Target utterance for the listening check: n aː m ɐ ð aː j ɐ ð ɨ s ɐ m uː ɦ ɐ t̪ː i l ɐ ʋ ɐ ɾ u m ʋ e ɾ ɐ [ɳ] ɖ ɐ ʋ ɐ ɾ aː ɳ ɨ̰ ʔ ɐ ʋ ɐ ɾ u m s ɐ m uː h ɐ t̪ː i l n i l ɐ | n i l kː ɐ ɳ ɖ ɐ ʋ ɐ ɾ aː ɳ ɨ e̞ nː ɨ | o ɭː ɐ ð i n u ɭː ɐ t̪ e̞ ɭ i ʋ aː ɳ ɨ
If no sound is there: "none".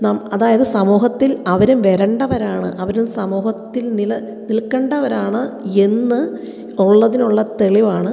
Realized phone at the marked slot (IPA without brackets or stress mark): ɳ